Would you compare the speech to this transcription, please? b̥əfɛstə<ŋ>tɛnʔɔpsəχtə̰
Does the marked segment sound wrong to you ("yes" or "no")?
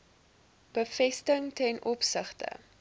no